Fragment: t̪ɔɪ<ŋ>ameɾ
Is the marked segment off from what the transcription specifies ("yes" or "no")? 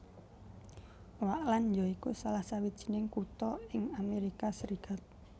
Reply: no